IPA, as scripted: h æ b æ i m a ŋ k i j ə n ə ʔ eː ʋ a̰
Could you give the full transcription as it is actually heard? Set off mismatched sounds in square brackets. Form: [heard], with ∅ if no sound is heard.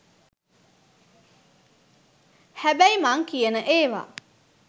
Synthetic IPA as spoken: h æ b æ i m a ŋ k i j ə n ə ʔ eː ʋ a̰